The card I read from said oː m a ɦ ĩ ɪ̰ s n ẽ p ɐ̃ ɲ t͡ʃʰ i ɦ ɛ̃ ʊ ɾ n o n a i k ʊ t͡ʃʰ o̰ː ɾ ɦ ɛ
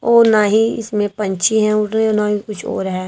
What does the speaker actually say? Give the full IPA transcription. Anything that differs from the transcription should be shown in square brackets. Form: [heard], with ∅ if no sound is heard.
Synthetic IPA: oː [n] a ɦ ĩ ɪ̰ s [m] ẽ p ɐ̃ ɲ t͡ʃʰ i ɦ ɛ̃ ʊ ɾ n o n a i k ʊ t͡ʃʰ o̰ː ɾ ɦ ɛ